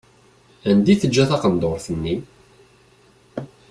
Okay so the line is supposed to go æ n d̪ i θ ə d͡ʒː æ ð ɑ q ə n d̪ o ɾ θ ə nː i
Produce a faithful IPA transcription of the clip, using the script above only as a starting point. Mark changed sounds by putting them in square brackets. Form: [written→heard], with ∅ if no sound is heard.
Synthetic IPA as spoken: æ n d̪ i θ ə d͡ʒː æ [ð→θ] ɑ q ə n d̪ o ɾ θ ə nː i